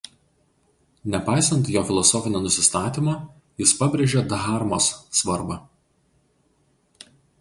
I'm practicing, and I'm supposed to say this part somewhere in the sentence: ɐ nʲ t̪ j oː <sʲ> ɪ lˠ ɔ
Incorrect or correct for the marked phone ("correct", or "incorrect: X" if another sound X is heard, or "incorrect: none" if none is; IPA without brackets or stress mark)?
incorrect: fʲ